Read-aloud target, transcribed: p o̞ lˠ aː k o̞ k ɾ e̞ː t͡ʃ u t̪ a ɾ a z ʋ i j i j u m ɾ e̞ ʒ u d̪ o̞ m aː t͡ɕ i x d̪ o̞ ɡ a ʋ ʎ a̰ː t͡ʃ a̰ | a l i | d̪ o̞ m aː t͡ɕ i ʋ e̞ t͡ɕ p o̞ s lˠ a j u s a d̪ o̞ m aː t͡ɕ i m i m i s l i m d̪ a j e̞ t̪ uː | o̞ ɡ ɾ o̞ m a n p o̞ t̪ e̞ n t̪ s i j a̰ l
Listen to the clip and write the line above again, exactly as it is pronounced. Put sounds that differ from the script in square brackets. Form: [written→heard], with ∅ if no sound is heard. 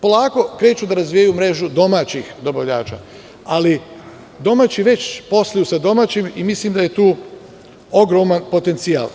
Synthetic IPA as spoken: p o̞ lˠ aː k o̞ k ɾ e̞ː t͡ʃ u [t̪→d̪] a ɾ a z ʋ i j [i→a] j u m ɾ e̞ ʒ u d̪ o̞ m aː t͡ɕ i x d̪ o̞ [ɡ→b] a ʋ ʎ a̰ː t͡ʃ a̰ | a l i | d̪ o̞ m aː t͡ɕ i ʋ e̞ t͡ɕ p o̞ s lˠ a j u s a d̪ o̞ m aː t͡ɕ i m i m i s l i m d̪ a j e̞ t̪ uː | o̞ ɡ ɾ o̞ m a n p o̞ t̪ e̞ n t̪ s i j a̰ l